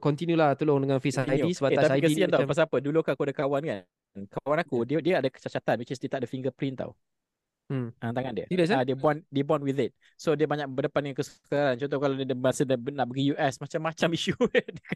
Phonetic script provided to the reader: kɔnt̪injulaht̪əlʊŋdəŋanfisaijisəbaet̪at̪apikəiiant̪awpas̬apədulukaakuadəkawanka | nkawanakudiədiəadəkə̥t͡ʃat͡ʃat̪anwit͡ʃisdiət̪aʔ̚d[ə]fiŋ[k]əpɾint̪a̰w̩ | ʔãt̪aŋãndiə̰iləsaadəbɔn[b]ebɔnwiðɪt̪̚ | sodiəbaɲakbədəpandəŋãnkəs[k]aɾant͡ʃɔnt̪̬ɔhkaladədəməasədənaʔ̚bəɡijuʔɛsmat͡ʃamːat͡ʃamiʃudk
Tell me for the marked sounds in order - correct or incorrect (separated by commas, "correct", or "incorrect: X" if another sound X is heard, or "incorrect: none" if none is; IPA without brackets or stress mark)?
correct, incorrect: ɡ, incorrect: d, correct